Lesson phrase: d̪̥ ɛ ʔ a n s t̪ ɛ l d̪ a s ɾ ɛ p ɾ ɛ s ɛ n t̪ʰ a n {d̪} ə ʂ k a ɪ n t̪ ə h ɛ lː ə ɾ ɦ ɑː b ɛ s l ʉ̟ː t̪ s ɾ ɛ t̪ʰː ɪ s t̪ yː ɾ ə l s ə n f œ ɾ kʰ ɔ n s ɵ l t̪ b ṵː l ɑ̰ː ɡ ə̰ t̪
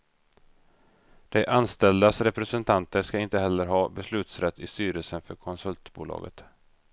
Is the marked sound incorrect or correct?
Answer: incorrect